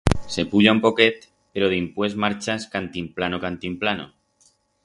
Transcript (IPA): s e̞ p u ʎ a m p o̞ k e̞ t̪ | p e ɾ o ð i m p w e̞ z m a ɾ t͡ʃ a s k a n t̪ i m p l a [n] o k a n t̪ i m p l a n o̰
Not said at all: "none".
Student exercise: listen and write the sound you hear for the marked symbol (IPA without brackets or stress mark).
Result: n